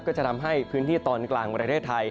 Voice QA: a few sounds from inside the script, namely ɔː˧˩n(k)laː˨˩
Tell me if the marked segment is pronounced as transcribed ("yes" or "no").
yes